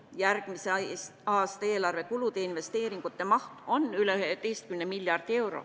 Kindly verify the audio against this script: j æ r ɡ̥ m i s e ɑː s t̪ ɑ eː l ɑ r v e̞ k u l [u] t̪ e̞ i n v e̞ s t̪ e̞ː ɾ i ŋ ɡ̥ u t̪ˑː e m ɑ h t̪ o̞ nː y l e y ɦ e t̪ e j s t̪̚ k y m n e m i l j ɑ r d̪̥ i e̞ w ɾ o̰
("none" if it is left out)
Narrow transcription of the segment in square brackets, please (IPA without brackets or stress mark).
u